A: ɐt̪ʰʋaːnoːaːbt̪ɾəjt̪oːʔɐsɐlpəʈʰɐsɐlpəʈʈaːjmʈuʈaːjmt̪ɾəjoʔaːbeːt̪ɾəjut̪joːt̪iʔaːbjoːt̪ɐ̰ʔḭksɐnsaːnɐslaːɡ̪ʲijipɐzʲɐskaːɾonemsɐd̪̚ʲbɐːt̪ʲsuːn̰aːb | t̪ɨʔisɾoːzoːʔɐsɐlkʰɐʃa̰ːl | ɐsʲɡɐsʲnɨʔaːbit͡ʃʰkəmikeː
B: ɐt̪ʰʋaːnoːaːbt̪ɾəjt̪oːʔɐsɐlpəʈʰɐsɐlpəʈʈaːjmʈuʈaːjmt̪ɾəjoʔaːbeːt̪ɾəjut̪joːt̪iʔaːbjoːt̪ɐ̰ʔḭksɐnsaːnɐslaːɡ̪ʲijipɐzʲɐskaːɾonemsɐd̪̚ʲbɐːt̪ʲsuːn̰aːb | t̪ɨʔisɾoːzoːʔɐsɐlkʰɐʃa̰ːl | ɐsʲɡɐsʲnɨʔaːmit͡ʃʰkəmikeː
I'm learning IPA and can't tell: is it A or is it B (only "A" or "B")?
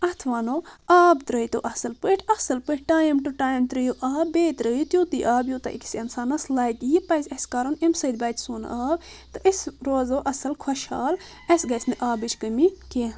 A